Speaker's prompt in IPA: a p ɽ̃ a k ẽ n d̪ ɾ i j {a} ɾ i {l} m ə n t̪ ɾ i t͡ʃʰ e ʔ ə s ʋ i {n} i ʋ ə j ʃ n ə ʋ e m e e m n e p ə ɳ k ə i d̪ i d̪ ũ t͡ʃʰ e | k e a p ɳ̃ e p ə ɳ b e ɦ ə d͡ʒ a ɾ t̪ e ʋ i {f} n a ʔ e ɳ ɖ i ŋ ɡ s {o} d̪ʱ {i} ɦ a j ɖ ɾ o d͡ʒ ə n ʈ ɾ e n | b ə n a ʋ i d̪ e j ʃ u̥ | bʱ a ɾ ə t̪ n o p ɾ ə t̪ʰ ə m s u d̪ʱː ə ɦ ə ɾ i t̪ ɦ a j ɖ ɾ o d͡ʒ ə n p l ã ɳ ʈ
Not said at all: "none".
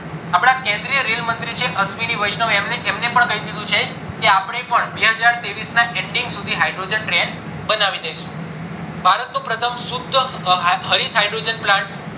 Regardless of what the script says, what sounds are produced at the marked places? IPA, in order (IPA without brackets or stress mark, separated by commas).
ə, l, n, s, u, i